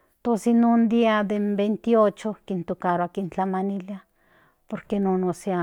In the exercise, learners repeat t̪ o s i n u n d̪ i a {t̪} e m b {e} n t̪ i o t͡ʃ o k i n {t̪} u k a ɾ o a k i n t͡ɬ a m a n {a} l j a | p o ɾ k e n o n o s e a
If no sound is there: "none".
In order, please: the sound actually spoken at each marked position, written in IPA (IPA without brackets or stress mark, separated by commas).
d̪, e, t̪, i